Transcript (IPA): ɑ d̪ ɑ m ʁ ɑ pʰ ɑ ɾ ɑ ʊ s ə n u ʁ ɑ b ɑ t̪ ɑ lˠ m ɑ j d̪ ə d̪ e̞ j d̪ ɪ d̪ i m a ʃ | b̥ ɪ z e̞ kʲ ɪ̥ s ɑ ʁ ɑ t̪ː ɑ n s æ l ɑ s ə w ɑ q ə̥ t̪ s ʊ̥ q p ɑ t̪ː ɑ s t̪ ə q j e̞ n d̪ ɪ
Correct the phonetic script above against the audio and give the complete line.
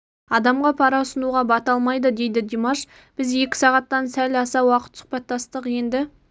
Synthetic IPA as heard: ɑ d̪ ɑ m ʁ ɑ pʰ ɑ ɾ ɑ ʊ s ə n u ʁ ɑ b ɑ t̪ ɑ lˠ m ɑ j d̪ ə d̪ e̞ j d̪ ɪ d̪ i m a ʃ | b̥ ɪ z e̞ kʲ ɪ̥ s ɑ ʁ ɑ t̪ː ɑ n s æ l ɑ s ɑ w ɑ q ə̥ t̪ s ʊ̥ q p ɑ t̪ː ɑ s t̪ ə q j e̞ n d̪ ɪ